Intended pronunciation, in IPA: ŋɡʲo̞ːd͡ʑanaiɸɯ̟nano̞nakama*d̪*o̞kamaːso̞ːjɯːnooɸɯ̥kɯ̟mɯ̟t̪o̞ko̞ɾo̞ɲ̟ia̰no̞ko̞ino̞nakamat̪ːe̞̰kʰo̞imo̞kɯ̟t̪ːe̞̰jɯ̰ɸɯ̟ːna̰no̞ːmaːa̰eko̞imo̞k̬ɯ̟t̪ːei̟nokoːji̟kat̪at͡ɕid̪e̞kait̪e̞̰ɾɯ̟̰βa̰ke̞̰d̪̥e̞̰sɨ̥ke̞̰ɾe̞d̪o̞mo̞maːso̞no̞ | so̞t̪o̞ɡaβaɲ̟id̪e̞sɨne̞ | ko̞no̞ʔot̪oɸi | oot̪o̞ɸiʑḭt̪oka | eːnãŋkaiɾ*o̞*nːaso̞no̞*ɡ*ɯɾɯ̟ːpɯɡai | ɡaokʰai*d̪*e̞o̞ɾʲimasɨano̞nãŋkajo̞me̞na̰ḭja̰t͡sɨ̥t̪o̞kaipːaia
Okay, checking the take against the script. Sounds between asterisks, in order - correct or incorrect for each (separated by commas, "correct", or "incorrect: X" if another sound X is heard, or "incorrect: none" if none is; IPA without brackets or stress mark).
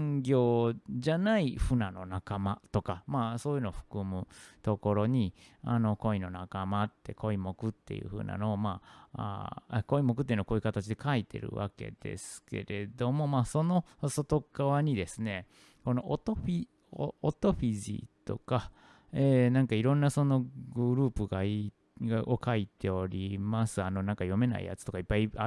incorrect: t̪, incorrect: õ̞, correct, incorrect: t̪